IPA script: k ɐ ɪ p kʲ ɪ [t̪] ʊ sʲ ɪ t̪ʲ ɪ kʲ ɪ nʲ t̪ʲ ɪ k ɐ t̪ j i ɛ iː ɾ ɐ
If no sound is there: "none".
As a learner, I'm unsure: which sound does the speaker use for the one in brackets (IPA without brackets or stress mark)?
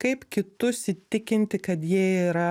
t̪